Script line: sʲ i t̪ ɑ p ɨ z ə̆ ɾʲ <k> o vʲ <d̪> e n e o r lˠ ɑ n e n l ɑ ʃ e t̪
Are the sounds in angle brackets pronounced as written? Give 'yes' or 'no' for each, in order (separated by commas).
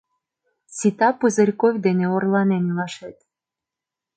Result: yes, yes